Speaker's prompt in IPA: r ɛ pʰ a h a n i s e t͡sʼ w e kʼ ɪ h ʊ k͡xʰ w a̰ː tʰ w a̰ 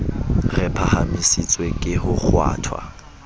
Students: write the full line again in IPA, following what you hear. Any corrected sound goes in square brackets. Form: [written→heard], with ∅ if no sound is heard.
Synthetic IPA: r ɛ pʰ a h a [n→m] i s [e→i] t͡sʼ w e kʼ ɪ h ʊ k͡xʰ w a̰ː tʰ w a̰